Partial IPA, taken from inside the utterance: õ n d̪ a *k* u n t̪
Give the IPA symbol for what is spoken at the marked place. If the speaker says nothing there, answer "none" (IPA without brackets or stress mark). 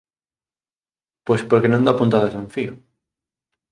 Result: p